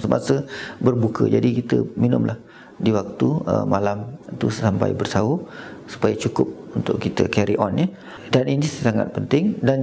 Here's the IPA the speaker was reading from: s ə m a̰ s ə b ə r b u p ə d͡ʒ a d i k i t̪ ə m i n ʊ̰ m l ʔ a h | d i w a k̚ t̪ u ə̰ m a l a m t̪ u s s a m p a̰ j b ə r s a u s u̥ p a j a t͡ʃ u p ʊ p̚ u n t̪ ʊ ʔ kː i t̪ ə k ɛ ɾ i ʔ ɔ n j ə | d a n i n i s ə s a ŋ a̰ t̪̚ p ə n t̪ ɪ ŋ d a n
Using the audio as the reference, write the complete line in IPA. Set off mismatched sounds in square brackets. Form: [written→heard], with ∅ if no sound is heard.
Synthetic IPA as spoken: s ə m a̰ s ə b ə r b u [p→k] ə d͡ʒ a d i k i t̪ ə m i n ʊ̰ m l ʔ a h | d i w a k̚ t̪ u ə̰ m a l a m t̪ u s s a m p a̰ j b ə r s a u s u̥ p a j a t͡ʃ u [p→k] ʊ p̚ u n t̪ ʊ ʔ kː i t̪ ə k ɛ ɾ i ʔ ɔ n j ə | d a n i n i s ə s a ŋ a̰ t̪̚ p ə n t̪ ɪ ŋ d a n